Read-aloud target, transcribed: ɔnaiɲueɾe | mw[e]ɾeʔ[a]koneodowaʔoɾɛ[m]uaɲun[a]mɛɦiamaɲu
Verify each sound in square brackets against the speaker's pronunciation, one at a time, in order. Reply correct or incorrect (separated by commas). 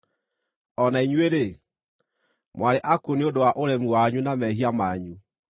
incorrect, correct, correct, correct